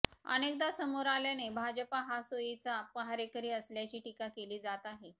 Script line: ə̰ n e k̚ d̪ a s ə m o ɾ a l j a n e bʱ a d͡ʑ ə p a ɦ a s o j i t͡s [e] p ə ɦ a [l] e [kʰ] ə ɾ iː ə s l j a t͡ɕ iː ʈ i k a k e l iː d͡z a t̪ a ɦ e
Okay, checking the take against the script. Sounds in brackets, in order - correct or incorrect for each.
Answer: incorrect: a, incorrect: ɾ, incorrect: k

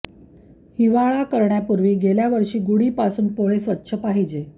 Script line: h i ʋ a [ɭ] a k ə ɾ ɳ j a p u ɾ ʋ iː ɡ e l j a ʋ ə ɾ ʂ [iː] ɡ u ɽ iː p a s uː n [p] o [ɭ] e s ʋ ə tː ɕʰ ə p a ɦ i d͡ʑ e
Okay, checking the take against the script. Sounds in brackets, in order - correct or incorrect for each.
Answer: correct, correct, correct, correct

